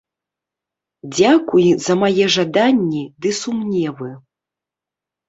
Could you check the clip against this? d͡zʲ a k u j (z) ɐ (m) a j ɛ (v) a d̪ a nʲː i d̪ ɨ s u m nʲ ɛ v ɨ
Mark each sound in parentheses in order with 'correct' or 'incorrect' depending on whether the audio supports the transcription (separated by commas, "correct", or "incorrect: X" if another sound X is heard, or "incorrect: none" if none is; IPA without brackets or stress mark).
correct, correct, incorrect: ʐ